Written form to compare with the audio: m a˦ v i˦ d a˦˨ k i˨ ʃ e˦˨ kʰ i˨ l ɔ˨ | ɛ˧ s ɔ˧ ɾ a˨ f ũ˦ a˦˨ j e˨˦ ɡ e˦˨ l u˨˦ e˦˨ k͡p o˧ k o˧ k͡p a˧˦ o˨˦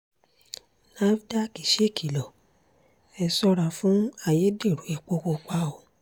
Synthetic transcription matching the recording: n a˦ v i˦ d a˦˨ k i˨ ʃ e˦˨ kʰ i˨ l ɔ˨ | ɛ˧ s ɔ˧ ɾ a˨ f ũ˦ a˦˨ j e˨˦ d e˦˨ ɾ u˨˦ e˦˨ k͡p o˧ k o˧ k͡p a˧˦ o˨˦